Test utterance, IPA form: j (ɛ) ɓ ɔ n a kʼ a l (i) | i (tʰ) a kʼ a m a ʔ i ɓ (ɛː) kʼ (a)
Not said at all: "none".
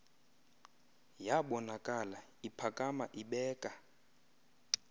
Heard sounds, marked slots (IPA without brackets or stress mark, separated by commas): a, a, pʰ, ɛː, a